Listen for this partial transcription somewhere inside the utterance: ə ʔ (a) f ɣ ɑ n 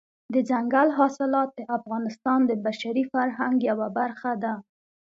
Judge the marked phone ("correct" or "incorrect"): correct